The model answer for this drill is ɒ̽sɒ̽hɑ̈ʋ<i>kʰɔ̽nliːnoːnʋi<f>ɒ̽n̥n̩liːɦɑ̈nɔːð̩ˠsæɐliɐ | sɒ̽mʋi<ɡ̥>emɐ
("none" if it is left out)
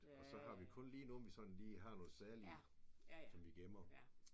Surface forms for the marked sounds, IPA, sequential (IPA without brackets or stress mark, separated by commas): i, s, ɡ̥